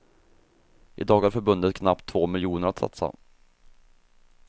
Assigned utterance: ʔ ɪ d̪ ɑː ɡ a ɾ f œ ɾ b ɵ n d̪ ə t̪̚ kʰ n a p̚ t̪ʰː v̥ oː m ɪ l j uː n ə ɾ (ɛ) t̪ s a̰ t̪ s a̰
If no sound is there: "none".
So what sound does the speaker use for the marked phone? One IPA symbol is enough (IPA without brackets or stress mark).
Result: a